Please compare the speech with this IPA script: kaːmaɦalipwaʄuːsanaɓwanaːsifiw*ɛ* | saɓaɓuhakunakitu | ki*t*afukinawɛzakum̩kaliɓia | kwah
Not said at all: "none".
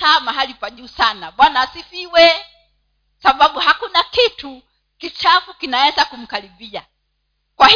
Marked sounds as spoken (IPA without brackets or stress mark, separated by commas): ɛ, t͡ʃ